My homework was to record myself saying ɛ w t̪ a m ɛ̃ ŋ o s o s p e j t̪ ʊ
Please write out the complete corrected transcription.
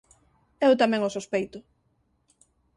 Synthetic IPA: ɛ w t̪ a m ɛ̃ ŋ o s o s p e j t̪ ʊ